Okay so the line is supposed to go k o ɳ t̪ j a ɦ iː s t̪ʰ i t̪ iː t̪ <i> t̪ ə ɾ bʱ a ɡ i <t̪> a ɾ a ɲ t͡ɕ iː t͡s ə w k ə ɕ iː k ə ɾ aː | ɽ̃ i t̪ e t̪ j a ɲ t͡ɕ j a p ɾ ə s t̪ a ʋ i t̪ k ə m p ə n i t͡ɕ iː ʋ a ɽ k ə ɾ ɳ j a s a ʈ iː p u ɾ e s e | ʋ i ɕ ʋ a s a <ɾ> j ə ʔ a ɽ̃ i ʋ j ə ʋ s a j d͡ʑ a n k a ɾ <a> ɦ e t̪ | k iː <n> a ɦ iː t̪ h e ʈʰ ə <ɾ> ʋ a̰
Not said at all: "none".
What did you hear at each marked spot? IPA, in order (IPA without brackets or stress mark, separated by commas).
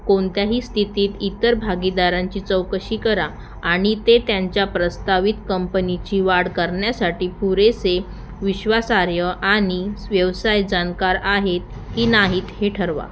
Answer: i, d̪, ɾ, a, n, ɾ